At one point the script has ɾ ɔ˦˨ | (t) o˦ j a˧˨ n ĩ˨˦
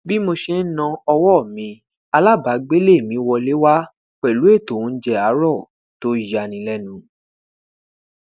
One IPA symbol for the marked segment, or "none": t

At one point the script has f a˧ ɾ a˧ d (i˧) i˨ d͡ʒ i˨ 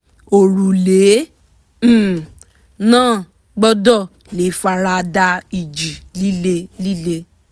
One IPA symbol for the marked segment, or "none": a˧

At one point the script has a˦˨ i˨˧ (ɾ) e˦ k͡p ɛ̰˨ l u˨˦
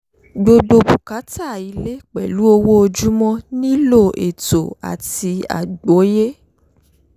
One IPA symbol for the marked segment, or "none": l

